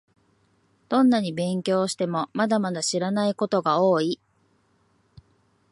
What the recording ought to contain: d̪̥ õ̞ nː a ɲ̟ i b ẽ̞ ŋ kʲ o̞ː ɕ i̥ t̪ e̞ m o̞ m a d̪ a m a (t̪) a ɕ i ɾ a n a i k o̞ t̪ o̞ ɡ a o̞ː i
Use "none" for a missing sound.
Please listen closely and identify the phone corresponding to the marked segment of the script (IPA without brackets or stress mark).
d̪